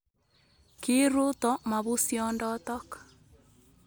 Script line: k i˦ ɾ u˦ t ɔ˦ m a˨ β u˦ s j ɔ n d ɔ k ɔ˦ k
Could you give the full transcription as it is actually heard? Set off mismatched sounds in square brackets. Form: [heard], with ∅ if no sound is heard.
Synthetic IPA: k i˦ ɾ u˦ t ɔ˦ m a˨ β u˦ s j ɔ n d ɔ [t] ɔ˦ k